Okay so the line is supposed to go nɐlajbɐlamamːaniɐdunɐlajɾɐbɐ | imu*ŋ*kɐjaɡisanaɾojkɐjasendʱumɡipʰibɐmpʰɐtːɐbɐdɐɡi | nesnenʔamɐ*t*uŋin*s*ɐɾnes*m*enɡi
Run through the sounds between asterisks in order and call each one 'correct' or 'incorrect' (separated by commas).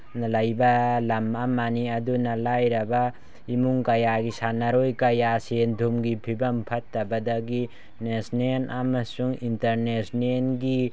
correct, incorrect, incorrect, incorrect